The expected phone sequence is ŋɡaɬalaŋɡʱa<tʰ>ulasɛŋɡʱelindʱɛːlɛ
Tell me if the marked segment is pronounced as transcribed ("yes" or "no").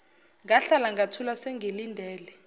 yes